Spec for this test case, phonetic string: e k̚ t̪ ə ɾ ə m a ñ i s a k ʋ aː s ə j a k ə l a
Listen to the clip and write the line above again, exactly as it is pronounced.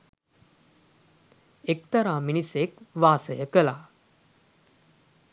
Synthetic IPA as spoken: e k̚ t̪ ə ɾ a m i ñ i s e k ʋ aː s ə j ə k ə l a